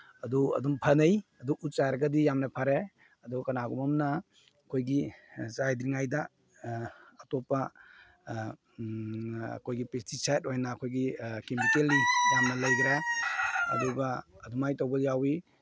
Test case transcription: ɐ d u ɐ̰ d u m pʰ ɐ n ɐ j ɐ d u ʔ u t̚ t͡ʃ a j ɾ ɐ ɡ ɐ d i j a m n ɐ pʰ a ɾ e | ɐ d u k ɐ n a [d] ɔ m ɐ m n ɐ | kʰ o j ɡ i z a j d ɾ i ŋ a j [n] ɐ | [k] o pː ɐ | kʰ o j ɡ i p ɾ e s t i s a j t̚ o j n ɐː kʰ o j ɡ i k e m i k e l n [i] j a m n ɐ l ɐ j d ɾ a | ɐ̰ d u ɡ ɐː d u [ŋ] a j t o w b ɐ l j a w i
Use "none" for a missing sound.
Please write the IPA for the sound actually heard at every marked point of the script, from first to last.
ɡ, d, t, i, m

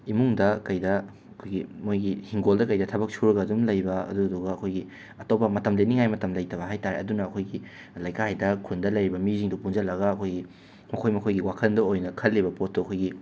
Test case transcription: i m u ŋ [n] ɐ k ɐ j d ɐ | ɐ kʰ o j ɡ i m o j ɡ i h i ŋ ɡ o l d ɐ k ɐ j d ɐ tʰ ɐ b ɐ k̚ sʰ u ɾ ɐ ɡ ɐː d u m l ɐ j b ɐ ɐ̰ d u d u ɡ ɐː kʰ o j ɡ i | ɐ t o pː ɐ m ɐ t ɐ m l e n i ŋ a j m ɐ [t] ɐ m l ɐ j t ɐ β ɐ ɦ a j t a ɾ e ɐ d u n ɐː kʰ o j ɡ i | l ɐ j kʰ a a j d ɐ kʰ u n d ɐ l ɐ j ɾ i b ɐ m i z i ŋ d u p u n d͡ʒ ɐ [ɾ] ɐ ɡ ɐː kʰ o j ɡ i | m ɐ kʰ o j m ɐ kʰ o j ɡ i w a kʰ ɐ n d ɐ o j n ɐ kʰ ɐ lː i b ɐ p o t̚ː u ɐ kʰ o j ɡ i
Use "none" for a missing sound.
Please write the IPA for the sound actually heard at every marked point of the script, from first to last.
d, t, l

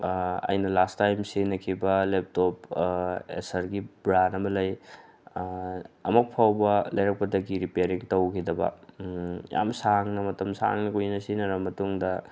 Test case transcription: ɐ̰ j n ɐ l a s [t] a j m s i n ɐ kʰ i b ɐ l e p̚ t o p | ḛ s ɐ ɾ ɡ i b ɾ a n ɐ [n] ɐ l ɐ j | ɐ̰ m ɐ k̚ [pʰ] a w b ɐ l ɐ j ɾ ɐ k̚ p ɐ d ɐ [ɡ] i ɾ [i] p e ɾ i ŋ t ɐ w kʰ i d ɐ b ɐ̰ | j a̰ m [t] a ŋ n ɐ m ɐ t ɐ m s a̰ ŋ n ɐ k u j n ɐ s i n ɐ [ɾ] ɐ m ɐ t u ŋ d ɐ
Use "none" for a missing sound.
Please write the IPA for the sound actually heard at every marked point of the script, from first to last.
t, m, pʰ, ɡ, i, s, ɾ

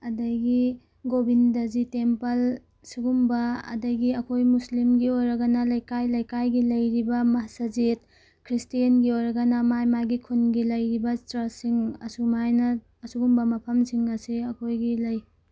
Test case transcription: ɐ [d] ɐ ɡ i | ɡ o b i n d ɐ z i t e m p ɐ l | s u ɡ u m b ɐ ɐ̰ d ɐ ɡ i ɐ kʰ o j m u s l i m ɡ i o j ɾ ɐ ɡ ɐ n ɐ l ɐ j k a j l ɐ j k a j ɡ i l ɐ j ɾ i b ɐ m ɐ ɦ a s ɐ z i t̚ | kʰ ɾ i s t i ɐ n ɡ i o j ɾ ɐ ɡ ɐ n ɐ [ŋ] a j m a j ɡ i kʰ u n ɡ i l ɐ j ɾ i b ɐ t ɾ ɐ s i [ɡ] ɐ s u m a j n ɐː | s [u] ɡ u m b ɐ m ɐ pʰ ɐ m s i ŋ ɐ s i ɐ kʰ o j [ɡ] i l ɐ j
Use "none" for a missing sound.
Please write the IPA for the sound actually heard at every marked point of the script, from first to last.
d, m, ŋ, u, ɡ

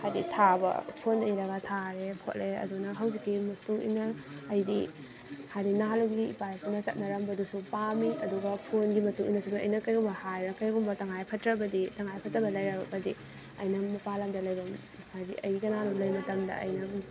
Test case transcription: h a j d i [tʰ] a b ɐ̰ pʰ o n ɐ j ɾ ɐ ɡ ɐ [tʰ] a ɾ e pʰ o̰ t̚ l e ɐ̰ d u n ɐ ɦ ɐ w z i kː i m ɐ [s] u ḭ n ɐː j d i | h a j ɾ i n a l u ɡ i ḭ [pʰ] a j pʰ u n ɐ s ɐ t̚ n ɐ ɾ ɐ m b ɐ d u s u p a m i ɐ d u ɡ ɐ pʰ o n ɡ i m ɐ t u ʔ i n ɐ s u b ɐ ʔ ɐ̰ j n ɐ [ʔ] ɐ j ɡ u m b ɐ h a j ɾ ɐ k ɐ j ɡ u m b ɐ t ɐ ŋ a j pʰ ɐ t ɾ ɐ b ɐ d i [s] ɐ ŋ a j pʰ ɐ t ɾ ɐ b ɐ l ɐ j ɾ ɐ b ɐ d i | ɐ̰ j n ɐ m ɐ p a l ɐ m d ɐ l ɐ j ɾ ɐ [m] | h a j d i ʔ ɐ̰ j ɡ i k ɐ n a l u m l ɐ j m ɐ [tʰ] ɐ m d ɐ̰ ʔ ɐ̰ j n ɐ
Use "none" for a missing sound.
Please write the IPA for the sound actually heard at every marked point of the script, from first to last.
tʰ, tʰ, t, p, k, t, m, t

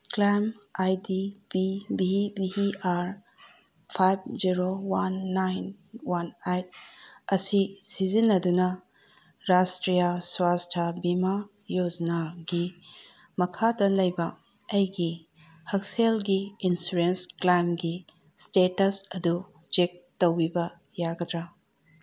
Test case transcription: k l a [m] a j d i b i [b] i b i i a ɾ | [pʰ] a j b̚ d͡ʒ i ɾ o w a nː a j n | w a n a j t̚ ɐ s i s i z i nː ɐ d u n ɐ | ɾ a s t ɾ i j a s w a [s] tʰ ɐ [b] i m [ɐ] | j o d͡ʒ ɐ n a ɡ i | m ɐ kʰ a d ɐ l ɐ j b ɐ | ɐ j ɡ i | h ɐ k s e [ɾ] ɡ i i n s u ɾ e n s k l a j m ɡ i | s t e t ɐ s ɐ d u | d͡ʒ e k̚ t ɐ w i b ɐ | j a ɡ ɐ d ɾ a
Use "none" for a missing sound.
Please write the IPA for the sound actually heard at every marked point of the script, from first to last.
m, b, pʰ, s, b, a, l

